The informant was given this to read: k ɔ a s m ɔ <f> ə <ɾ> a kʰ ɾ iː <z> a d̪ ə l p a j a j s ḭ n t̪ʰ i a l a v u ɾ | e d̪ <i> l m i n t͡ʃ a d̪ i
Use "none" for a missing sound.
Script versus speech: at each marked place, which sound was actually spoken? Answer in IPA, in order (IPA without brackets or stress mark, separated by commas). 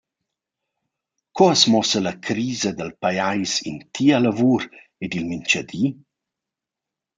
s, l, z, i